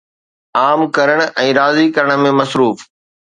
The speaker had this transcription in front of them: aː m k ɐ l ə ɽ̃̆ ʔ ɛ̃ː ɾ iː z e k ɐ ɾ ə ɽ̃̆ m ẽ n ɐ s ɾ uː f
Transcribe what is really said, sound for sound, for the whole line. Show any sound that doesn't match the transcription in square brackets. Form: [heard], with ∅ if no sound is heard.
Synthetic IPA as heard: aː m k ɐ [ɾ] ə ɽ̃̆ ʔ ɛ̃ː ɾ [aː] z [i] k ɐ ɾ ə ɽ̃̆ m ẽ [m] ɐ s ɾ uː f